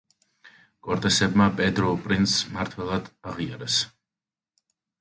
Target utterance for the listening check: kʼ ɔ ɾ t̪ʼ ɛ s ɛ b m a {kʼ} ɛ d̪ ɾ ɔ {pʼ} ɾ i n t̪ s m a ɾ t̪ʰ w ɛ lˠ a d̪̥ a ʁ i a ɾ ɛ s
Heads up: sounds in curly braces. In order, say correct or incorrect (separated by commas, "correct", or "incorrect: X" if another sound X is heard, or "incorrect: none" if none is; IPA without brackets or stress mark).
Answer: incorrect: pʼ, correct